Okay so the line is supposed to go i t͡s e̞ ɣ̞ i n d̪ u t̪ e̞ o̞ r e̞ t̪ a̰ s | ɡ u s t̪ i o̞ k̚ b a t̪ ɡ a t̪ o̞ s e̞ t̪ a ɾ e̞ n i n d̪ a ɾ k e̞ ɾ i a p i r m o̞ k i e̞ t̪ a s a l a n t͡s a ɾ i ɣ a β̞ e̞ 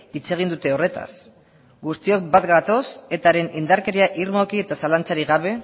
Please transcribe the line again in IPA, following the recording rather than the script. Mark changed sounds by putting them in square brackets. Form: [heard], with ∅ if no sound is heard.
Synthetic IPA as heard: i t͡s e̞ ɣ̞ i n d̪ u t̪ e̞ o̞ r e̞ t̪ a̰ s | ɡ u s t̪ i o̞ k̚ b a t̪ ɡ a t̪ o̞ s e̞ t̪ a ɾ e̞ n i n d̪ a ɾ k e̞ ɾ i a [ʔ] i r m o̞ k i e̞ t̪ a s a l a n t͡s a ɾ i ɣ a β̞ e̞